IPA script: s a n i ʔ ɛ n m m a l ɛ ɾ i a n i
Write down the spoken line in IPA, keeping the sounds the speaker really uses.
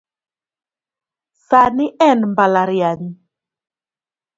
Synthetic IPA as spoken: s a n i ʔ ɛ n m b a l a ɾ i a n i